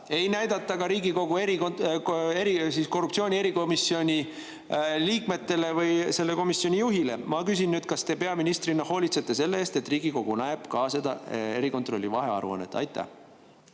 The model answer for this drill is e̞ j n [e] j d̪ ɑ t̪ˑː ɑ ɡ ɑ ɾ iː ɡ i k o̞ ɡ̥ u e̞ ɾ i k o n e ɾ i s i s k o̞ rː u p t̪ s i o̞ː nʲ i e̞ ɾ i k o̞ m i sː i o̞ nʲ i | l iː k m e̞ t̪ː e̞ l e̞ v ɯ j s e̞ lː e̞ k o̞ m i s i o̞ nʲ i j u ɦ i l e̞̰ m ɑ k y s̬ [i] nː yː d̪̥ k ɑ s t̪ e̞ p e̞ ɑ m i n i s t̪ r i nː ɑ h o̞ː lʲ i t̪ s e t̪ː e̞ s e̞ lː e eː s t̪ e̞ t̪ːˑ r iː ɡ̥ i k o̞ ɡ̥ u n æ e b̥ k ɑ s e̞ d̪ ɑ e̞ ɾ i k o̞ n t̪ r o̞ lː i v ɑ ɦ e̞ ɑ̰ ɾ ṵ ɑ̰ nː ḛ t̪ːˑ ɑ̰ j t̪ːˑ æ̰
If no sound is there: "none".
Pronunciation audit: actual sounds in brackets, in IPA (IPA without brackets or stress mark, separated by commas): æ, i